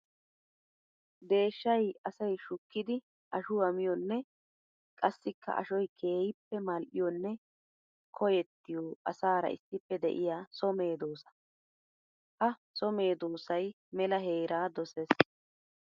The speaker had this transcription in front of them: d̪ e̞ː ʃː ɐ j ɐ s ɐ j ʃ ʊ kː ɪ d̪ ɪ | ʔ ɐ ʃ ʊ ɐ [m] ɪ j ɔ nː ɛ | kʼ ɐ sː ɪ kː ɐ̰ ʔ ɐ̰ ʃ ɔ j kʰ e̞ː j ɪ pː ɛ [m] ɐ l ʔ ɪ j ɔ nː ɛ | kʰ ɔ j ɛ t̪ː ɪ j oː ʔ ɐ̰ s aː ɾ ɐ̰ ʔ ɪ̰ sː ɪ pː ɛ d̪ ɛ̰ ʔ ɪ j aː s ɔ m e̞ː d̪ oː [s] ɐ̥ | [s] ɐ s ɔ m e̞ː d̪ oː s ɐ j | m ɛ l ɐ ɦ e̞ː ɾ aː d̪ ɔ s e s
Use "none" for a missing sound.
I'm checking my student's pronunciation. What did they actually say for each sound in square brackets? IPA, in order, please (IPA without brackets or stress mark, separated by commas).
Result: m, m, s, h